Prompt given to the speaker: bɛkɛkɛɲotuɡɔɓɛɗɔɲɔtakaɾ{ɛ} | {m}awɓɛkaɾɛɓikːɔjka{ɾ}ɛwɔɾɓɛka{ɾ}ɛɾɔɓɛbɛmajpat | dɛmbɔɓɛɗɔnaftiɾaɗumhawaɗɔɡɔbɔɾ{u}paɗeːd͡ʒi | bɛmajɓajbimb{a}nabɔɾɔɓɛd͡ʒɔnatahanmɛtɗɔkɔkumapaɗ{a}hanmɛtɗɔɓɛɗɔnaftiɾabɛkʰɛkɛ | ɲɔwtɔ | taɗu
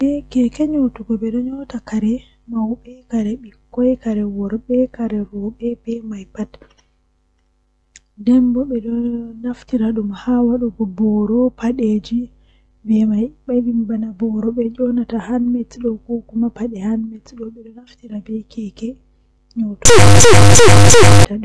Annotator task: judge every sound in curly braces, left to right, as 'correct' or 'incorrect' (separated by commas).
correct, correct, correct, correct, incorrect, correct, incorrect